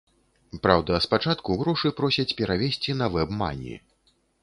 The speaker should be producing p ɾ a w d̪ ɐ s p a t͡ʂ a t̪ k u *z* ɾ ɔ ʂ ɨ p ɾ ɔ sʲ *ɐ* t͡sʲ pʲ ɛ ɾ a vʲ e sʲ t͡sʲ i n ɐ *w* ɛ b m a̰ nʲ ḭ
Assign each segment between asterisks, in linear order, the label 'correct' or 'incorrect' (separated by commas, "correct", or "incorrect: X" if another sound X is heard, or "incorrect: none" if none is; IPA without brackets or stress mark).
incorrect: ɣ, correct, incorrect: v